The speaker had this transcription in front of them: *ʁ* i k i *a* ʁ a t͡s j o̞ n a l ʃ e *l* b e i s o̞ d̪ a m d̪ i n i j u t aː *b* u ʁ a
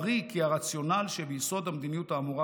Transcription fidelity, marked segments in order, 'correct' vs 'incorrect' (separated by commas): correct, correct, incorrect, incorrect